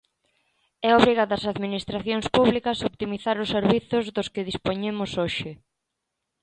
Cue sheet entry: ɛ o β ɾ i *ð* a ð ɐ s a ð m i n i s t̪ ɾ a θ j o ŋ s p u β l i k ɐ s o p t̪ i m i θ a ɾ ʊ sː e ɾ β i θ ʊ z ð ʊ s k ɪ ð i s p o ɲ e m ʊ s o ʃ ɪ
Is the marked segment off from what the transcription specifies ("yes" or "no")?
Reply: yes